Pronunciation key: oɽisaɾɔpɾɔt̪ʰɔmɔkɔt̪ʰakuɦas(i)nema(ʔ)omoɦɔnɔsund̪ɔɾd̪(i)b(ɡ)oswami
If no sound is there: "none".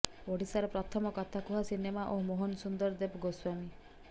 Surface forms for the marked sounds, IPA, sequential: i, ʔ, e, ɡ

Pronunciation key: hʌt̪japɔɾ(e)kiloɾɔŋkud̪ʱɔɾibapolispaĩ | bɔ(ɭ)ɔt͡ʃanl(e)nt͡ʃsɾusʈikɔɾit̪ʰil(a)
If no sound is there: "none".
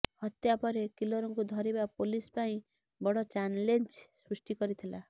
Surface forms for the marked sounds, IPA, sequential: e, ɽ, e, a

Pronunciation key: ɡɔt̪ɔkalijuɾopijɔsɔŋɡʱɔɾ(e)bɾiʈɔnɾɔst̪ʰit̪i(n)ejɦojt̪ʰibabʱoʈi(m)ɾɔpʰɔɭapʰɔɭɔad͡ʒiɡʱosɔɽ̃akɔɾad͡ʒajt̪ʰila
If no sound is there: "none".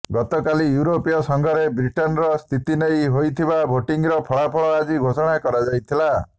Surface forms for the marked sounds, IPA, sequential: e, n, ŋ

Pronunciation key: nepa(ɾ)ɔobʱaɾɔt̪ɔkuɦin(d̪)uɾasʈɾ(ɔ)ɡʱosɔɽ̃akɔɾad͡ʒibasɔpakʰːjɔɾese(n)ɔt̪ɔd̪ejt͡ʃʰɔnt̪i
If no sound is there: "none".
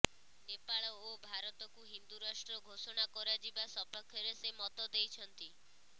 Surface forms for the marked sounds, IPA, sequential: ɭ, d̪, ɔ, m

